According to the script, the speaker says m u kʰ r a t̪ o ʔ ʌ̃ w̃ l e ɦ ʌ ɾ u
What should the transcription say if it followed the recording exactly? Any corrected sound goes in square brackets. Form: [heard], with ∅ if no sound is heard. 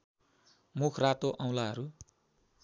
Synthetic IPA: m u kʰ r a t̪ o ʔ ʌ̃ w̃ l [a] ɦ ʌ ɾ u